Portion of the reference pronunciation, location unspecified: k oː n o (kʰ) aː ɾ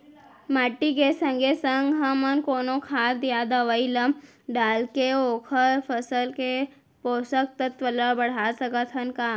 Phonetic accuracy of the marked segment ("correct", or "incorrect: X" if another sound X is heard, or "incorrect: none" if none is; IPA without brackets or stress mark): correct